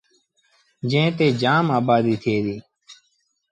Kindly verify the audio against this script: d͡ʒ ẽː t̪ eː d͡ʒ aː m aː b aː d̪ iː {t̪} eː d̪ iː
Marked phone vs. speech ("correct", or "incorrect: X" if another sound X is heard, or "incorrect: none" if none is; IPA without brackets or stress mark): incorrect: t̪ʰ